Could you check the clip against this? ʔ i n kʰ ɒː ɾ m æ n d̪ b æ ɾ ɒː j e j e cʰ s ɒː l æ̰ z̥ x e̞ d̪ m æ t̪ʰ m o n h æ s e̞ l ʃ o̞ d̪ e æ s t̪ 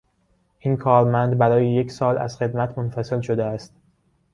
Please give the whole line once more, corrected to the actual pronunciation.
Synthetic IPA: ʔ i n kʰ ɒː ɾ m æ n d̪ b æ ɾ ɒː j e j e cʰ s ɒː l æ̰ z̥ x e̞ d̪ m æ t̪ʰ m o n f æ s e̞ l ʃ o̞ d̪ e æ s t̪